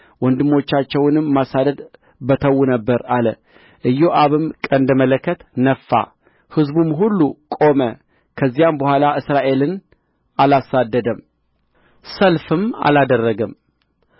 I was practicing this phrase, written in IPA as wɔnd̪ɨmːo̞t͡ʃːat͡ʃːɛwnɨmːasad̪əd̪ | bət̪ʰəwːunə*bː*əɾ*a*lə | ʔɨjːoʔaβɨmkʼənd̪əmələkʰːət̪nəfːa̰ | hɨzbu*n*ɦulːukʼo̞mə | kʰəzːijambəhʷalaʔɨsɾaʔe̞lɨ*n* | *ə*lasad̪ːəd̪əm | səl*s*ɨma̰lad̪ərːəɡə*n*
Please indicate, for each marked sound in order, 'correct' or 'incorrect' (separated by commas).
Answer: correct, correct, incorrect, correct, incorrect, incorrect, incorrect